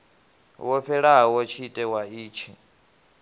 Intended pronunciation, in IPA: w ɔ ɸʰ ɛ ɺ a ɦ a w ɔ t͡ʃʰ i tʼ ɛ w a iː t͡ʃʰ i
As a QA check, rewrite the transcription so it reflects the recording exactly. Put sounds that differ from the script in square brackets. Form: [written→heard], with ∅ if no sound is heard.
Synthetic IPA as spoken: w ɔ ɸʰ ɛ ɺ a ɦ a w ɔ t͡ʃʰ i tʼ ɛ w a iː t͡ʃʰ i